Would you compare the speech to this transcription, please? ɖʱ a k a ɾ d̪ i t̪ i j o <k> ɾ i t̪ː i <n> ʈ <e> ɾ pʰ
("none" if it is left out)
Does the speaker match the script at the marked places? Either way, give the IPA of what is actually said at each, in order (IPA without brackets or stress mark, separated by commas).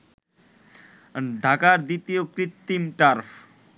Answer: k, m, a